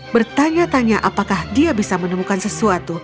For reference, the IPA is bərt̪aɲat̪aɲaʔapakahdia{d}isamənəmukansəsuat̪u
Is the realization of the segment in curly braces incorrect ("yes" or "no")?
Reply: yes